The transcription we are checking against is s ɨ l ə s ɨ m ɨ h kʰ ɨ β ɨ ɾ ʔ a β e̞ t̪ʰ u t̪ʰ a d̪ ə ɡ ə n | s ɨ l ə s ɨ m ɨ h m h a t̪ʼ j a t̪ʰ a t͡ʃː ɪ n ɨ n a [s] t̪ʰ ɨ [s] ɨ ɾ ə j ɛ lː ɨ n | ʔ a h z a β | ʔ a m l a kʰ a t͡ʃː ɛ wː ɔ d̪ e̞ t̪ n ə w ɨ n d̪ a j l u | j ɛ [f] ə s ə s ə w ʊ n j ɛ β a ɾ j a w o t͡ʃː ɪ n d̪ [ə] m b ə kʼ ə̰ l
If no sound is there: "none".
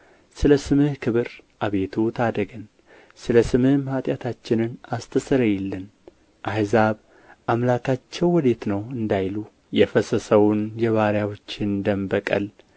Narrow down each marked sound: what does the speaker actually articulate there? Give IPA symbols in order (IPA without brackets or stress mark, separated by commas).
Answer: s, s, f, ə